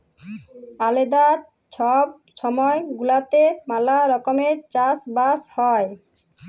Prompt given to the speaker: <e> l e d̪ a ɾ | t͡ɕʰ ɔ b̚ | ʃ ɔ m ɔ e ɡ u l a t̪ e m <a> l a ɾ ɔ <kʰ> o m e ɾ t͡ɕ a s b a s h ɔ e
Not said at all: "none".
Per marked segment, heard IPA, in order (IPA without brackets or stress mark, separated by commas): a, a, k